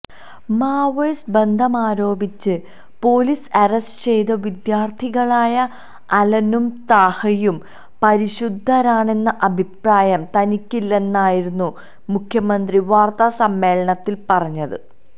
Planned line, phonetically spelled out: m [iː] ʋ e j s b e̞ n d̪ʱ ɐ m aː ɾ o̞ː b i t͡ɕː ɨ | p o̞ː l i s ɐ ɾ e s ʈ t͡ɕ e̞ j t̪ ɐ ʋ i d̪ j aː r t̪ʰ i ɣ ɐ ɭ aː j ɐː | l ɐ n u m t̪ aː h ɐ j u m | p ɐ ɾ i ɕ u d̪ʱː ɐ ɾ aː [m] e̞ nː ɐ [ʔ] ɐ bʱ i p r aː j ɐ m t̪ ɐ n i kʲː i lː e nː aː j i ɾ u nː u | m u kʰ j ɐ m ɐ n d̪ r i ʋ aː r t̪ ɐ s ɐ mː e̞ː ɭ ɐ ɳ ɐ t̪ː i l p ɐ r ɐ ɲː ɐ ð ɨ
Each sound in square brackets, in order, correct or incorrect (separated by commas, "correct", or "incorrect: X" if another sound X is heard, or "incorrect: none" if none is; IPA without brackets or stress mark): incorrect: aː, incorrect: ɳ, correct